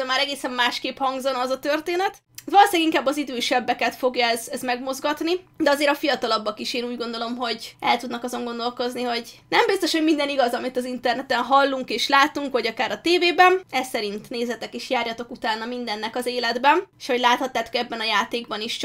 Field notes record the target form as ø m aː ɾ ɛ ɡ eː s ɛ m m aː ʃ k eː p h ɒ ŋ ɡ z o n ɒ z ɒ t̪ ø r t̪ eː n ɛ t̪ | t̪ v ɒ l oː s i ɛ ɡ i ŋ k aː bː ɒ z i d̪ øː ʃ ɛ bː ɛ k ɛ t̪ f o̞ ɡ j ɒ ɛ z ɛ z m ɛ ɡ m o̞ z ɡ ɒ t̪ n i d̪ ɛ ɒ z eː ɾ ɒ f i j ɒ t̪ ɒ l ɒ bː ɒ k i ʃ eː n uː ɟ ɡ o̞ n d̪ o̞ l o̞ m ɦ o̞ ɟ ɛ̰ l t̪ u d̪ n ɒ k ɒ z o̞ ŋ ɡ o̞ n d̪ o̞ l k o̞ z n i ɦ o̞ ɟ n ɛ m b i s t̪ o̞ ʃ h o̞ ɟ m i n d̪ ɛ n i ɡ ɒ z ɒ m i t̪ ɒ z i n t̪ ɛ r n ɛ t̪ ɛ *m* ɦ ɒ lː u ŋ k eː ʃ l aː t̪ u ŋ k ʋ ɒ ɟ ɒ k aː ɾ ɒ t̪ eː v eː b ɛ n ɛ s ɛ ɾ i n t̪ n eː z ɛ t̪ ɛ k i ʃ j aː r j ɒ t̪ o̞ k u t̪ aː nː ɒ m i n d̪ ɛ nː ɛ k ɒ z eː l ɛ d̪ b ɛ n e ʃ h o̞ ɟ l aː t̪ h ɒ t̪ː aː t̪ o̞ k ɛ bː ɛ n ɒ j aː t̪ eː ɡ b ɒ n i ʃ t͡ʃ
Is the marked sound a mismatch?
yes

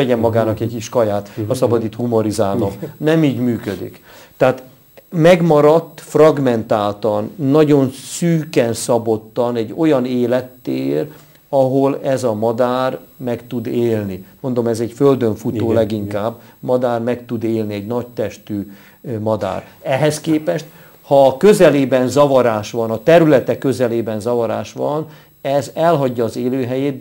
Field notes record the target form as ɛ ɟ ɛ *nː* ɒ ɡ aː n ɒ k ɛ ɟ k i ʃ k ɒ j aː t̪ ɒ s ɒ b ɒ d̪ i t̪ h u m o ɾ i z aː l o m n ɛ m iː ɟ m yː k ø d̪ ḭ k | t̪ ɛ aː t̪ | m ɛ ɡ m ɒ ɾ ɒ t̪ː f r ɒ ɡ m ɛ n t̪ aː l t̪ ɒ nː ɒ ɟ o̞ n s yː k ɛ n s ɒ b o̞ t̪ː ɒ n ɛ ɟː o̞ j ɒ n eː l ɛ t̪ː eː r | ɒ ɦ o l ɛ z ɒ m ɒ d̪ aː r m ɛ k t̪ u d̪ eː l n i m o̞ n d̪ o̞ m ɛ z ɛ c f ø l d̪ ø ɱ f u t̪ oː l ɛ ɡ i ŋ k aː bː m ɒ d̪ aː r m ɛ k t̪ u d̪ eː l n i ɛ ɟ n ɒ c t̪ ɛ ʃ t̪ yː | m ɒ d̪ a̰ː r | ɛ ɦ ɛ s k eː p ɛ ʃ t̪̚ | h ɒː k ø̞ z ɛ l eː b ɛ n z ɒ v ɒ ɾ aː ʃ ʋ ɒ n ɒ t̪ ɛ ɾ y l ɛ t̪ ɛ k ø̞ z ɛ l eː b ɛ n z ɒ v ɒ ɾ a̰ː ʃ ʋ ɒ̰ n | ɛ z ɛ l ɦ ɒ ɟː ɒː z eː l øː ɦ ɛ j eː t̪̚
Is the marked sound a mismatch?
yes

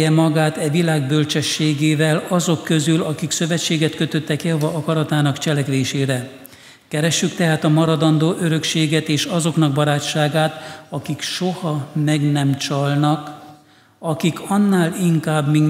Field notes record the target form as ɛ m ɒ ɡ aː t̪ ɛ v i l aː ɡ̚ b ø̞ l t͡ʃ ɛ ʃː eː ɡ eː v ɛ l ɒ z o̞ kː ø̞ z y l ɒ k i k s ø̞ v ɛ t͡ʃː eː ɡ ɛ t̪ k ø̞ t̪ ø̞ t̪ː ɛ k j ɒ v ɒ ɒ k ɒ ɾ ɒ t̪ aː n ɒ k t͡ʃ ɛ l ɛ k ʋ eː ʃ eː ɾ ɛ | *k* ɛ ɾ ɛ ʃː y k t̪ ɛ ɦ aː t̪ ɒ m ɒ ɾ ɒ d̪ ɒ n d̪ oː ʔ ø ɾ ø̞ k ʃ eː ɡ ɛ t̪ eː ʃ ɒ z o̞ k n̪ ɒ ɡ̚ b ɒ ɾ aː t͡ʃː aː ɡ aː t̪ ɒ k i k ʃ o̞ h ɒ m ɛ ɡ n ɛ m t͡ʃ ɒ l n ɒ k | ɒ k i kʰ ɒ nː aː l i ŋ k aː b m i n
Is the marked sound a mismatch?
no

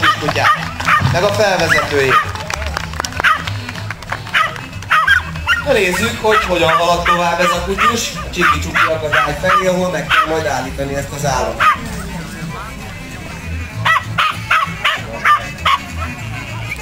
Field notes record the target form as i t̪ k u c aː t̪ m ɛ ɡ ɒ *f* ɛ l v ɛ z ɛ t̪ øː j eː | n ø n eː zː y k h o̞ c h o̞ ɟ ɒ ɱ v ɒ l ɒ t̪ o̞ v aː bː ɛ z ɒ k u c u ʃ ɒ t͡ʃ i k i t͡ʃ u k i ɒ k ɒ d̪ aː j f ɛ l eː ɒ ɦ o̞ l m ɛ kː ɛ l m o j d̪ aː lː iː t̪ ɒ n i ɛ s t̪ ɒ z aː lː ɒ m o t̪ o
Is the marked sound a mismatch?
no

